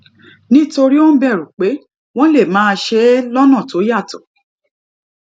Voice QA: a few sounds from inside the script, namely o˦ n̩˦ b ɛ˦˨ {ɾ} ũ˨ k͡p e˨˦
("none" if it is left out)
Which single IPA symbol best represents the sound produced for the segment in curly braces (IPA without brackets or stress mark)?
ɾ